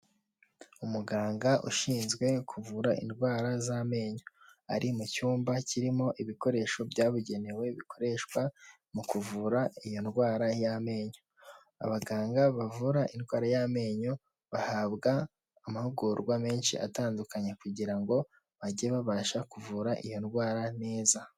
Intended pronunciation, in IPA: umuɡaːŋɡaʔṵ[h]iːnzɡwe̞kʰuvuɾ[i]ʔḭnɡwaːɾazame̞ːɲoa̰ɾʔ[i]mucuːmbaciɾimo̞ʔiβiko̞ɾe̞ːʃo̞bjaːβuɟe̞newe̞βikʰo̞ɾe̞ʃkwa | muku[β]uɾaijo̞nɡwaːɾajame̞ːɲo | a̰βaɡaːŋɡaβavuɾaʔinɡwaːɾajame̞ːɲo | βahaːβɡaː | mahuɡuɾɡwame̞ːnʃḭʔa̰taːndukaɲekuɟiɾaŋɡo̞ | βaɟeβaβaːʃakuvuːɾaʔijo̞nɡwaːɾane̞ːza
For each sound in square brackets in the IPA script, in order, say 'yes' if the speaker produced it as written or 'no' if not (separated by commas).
no, no, yes, no